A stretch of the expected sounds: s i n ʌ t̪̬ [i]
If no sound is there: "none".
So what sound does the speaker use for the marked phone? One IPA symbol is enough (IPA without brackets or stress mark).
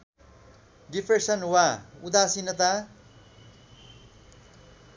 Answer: a